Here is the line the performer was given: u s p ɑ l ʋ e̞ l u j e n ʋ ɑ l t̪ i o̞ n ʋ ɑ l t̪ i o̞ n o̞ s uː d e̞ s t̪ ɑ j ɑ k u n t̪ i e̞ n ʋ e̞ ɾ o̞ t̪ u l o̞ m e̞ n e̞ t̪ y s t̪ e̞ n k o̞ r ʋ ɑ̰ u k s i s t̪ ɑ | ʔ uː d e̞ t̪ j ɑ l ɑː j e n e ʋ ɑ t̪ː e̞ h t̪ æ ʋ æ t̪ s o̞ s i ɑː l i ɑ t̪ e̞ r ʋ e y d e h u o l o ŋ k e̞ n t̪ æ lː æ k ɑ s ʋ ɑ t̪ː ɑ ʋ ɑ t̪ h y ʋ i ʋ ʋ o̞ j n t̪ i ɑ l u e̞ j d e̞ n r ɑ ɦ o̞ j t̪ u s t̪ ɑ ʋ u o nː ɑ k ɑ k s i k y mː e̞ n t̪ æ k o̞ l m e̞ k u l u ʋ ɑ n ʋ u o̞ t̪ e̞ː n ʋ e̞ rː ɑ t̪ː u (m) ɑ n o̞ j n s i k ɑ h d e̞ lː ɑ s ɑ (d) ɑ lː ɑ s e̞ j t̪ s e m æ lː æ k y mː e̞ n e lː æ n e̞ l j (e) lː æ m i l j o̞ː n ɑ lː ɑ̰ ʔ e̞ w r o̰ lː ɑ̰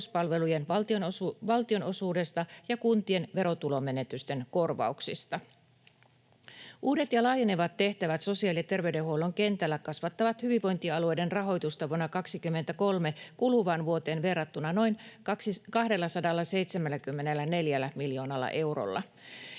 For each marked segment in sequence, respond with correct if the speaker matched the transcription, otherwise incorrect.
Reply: incorrect: n, correct, incorrect: æ

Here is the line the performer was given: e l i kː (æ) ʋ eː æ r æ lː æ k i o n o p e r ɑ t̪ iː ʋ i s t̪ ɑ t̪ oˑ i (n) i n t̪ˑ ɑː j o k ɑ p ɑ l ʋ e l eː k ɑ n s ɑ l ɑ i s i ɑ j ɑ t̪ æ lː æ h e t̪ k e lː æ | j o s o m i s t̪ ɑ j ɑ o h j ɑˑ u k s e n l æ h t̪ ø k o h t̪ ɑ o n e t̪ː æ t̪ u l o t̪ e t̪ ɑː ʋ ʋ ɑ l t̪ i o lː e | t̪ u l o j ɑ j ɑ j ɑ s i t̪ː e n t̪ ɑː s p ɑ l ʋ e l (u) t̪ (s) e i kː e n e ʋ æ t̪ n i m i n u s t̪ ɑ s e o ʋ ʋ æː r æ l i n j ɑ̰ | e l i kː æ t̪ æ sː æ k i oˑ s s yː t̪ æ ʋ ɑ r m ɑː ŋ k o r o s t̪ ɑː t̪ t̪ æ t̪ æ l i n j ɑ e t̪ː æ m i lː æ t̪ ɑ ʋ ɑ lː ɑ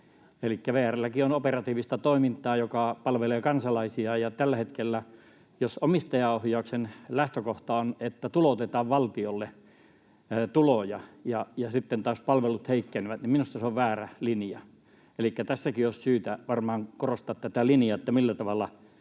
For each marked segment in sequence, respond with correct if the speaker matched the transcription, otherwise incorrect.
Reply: correct, incorrect: m, correct, incorrect: h

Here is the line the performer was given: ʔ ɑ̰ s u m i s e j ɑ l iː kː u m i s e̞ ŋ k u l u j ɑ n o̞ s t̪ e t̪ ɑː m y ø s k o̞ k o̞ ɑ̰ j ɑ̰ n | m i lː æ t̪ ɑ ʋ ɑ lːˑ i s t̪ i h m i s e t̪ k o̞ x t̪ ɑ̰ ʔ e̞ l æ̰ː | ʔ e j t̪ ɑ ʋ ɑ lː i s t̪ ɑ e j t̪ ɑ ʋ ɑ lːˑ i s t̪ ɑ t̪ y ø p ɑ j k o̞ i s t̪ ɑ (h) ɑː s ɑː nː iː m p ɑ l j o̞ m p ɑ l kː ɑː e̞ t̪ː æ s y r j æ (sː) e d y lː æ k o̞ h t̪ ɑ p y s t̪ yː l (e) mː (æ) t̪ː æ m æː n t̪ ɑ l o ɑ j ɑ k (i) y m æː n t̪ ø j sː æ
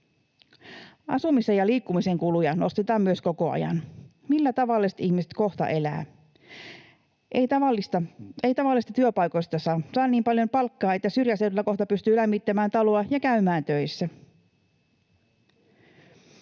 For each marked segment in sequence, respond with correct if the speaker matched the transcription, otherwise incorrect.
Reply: incorrect: s, incorrect: s, incorrect: æ, incorrect: i, incorrect: æ

